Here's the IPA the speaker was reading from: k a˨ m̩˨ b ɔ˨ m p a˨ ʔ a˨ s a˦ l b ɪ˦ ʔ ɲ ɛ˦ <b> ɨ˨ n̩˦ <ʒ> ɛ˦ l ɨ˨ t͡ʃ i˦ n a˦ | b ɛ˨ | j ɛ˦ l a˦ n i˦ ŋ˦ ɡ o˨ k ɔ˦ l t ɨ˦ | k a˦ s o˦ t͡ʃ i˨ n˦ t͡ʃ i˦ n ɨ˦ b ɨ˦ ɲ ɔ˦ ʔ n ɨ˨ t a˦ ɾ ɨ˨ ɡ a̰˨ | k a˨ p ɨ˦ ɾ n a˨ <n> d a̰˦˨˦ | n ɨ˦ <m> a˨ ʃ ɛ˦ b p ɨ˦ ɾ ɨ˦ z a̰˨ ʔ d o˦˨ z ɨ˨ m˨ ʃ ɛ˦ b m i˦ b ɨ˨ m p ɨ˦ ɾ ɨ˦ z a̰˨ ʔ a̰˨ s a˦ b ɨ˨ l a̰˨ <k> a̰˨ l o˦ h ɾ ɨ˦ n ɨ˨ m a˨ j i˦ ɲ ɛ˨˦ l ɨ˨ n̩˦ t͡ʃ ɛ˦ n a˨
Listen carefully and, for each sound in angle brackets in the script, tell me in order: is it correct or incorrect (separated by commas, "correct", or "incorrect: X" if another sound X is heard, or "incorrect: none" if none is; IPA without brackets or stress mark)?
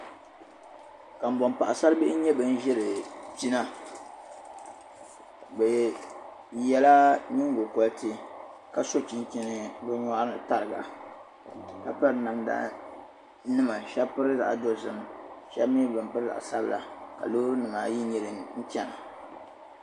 correct, correct, incorrect: m, correct, correct